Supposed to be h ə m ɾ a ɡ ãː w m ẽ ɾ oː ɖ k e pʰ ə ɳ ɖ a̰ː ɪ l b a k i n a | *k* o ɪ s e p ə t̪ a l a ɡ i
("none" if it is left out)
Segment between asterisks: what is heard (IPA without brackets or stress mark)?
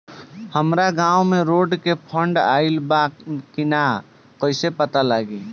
k